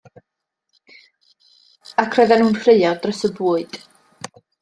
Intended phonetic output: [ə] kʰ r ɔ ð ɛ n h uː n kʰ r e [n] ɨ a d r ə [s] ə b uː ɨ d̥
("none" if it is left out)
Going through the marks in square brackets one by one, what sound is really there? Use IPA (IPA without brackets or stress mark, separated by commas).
a, none, s